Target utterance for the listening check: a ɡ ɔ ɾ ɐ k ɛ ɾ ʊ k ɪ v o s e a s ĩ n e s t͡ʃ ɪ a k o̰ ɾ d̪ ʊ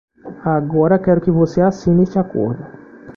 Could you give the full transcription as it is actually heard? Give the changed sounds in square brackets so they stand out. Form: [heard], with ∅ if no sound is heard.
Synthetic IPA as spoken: a ɡ ɔ ɾ ɐ k ɛ ɾ ʊ k ɪ v o s e a s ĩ n e s t͡ʃ ɪ a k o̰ ɾ d̪ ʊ